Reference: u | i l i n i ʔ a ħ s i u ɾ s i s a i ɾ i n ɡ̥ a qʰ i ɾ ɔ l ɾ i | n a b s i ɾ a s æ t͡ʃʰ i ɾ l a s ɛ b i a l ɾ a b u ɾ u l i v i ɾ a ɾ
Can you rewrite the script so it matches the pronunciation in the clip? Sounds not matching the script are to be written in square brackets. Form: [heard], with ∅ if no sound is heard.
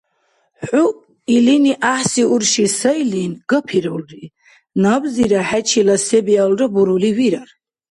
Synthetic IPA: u | i l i n i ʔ a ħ s i u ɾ [ʃ] i s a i [l] i n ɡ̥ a [pʰ] i ɾ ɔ l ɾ i | n a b [z] i ɾ a [ħ] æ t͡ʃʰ i [∅] l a s ɛ b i a l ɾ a b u ɾ u l i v i ɾ a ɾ